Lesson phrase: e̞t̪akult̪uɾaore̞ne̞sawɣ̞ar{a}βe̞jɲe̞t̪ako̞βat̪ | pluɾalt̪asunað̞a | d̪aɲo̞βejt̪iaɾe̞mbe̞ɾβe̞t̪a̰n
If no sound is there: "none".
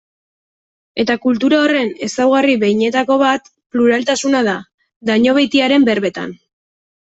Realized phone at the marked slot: i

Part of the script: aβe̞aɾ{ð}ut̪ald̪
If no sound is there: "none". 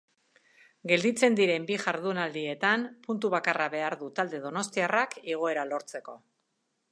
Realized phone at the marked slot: ð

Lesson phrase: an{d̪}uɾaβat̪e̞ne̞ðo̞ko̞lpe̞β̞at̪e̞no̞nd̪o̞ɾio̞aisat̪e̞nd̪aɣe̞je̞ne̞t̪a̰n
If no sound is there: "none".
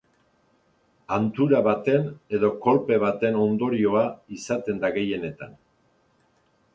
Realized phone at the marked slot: t̪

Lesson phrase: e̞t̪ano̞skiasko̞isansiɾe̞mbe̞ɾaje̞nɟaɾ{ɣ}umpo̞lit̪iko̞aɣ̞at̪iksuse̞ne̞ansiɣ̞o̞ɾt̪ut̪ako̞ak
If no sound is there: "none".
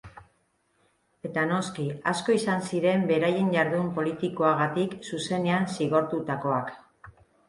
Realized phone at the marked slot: ð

